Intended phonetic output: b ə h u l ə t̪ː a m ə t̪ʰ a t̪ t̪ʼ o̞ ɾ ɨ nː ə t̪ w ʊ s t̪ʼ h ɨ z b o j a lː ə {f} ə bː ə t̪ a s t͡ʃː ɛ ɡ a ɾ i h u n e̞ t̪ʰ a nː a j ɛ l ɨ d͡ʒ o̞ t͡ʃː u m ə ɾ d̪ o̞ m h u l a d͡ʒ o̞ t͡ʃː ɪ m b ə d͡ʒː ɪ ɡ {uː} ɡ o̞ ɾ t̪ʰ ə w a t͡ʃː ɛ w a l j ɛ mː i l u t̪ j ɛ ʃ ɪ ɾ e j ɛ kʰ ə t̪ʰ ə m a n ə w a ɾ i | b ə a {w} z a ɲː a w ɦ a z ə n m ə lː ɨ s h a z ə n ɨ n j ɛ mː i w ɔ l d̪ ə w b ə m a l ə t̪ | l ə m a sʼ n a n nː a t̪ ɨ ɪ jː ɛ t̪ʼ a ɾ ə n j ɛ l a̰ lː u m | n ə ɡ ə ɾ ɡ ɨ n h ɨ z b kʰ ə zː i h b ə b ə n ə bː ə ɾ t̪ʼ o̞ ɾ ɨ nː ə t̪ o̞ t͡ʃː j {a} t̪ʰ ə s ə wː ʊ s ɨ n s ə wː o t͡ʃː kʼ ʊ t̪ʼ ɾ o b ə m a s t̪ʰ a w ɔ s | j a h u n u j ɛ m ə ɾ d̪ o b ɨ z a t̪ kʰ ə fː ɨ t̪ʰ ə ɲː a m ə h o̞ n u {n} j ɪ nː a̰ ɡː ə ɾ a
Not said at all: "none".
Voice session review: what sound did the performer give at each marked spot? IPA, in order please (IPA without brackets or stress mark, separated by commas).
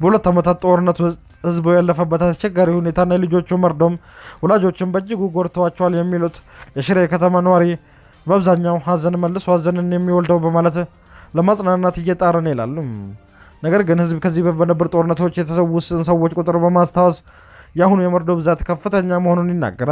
f, u, β, ɛ, n